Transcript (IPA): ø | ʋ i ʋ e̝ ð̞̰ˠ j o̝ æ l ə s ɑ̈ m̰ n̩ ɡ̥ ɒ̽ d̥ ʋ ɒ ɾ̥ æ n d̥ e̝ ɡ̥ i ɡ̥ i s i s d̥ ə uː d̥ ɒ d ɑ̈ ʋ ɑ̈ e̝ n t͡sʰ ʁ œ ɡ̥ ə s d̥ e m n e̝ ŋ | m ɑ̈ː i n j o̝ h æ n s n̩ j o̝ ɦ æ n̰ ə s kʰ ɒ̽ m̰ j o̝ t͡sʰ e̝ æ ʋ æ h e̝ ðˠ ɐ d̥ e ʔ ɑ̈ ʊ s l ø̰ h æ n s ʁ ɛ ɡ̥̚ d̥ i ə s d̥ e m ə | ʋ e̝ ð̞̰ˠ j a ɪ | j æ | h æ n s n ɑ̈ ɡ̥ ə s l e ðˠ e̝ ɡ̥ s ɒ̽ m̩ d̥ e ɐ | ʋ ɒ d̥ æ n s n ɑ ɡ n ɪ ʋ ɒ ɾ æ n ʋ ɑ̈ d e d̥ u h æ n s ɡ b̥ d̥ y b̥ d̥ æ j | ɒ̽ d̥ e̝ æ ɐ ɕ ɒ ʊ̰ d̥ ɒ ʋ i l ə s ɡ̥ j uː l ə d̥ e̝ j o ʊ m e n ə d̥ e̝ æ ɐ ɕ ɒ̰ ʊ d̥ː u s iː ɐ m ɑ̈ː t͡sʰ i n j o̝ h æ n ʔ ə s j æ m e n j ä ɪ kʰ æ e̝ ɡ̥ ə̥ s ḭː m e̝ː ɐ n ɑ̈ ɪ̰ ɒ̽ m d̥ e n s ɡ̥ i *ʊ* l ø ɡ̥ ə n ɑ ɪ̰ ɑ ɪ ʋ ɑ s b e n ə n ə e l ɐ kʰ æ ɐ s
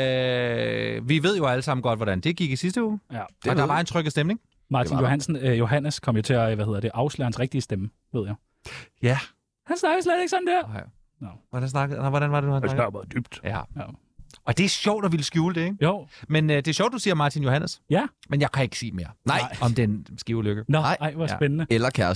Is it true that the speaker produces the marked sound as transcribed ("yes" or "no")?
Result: yes